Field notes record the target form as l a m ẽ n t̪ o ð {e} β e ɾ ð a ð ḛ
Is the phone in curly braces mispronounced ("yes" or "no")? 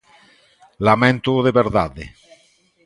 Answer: no